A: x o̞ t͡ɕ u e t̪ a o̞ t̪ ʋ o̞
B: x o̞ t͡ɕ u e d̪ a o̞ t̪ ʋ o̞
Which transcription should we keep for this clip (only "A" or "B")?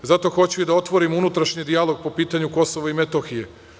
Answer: B